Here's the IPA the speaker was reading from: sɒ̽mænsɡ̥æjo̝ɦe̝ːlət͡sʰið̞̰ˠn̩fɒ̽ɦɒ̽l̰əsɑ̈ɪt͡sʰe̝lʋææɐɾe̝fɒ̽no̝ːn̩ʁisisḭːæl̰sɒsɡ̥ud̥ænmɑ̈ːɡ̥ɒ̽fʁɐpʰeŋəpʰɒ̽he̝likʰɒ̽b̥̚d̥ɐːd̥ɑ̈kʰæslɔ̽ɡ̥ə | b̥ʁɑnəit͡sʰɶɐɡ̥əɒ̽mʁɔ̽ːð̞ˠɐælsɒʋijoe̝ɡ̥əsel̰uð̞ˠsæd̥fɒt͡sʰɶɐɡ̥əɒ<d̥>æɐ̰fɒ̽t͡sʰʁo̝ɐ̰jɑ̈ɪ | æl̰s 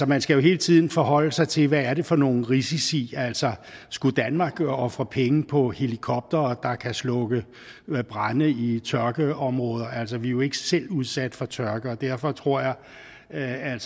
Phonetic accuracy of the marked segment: correct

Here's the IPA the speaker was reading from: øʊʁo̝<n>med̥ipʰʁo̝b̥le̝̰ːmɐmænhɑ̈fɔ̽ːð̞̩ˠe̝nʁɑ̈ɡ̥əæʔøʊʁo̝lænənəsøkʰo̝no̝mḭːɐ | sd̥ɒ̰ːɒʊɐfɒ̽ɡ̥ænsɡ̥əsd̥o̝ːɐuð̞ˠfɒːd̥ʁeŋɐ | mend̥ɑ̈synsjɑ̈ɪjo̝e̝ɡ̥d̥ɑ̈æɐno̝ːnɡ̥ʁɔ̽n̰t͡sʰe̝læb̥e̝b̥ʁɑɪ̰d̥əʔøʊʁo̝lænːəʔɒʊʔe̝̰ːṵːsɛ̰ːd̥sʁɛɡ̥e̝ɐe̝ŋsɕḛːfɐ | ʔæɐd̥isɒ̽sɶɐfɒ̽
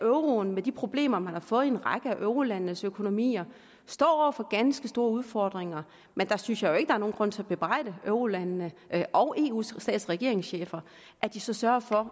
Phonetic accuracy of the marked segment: correct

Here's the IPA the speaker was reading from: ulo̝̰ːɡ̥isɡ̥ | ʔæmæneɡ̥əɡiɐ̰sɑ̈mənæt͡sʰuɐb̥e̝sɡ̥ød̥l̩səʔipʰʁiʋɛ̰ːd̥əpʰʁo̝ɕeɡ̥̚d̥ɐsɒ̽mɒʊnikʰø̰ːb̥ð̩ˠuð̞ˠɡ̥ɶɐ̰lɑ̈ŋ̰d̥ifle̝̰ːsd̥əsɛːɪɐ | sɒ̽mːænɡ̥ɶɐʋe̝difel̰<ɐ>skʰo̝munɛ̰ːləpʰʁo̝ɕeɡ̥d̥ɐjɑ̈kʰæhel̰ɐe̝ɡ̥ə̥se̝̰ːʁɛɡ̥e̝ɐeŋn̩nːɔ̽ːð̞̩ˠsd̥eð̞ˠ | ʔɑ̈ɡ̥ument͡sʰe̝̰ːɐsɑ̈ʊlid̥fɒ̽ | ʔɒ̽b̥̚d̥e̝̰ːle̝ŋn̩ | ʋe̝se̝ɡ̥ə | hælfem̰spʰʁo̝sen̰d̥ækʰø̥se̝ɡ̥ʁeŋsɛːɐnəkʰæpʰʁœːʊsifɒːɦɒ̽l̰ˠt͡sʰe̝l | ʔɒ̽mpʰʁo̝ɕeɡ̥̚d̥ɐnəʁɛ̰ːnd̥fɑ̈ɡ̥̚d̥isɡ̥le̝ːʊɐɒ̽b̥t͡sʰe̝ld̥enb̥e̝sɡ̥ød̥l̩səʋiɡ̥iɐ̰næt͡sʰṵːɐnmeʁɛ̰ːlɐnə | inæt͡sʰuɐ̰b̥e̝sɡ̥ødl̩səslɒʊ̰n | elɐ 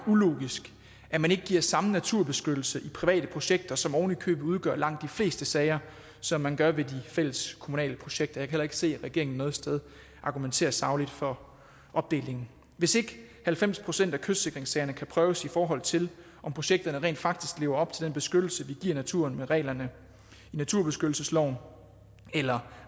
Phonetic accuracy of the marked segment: incorrect: ə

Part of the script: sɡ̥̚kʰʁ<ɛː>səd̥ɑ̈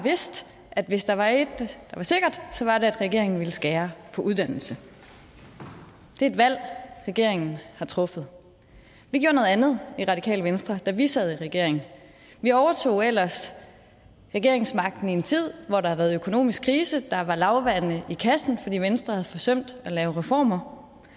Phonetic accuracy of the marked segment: incorrect: iː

